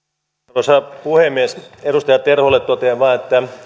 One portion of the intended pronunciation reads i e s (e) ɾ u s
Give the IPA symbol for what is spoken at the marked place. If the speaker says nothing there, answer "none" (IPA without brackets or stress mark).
e